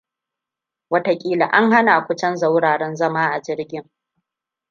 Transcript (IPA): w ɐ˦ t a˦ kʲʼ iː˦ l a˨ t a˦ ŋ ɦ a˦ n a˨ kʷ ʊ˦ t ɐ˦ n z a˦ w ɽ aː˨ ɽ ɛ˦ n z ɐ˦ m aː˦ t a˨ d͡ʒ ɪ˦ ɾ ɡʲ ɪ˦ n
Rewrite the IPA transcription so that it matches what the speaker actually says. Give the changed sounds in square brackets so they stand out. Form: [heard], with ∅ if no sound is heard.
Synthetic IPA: w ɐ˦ t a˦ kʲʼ iː˦ l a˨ [ʔ] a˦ ŋ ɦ a˦ n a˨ kʷ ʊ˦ [t͡ʃ] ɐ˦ n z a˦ w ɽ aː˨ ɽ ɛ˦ n z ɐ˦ m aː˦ [ʔ] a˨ d͡ʒ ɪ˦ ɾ ɡʲ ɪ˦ [ŋ]